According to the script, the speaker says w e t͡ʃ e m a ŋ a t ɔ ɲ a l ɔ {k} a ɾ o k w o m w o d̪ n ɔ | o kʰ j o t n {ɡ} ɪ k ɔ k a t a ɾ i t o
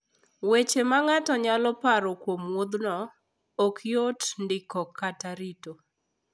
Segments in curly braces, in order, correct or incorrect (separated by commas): incorrect, incorrect